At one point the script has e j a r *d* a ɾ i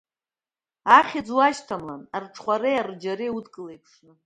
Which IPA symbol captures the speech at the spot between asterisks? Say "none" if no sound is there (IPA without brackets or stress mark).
d͡ʒ